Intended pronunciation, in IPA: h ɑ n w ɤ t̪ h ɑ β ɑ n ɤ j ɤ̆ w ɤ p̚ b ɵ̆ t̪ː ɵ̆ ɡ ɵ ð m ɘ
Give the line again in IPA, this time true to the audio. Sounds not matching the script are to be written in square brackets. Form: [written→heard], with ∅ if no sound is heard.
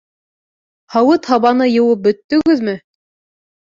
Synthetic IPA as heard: h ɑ [n→∅] w ɤ t̪ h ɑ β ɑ n ɤ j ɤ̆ w ɤ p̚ b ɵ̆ t̪ː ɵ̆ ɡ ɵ ð m ɘ